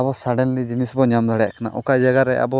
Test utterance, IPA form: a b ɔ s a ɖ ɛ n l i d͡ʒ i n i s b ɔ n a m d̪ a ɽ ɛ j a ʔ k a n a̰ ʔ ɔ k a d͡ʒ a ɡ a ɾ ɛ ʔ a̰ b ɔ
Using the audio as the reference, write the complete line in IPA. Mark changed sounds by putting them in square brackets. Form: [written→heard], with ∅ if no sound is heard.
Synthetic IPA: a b ɔ s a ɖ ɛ n l i d͡ʒ i n i s b ɔ [n→ɲ] a m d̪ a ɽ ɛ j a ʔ k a n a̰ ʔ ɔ k a d͡ʒ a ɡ a ɾ ɛ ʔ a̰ b ɔ